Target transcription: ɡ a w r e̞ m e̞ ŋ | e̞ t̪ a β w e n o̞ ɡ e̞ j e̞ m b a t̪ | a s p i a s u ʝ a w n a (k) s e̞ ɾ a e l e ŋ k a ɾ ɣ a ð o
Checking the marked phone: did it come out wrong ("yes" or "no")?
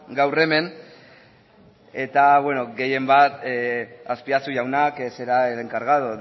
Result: no